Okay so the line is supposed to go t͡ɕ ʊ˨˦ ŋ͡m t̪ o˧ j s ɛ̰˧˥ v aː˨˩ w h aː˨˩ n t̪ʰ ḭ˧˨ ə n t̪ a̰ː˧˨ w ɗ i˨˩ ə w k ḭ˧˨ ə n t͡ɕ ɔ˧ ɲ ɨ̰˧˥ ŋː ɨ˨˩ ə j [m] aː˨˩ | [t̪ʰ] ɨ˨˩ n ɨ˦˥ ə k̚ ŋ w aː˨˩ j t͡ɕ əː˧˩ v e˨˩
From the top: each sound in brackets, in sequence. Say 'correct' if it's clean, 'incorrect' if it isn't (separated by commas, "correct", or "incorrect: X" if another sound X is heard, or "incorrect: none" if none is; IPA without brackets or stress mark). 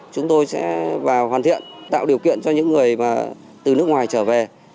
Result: correct, incorrect: t̪